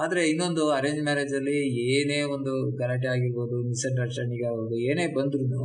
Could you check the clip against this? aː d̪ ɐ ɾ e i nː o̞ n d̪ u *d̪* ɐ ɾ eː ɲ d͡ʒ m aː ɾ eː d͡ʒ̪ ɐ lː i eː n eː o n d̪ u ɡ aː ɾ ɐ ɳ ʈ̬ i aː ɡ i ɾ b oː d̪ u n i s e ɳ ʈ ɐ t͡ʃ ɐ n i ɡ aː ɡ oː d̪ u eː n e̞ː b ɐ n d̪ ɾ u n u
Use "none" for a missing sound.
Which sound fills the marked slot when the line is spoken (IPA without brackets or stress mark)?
none